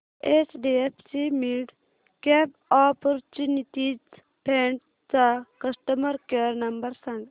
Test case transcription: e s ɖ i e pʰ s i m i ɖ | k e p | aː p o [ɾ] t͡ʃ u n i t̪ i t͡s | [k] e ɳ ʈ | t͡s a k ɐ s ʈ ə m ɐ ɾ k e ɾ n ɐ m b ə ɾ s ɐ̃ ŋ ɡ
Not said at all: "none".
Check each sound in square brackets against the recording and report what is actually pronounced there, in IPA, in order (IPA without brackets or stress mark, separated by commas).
ɾ, p